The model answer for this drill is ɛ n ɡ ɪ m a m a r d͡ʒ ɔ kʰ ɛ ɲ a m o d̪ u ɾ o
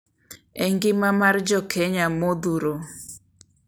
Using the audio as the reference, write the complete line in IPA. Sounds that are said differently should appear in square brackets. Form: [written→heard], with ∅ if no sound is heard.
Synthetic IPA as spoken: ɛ [n→ŋ] ɡ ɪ m a m a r d͡ʒ ɔ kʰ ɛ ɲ a m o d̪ u ɾ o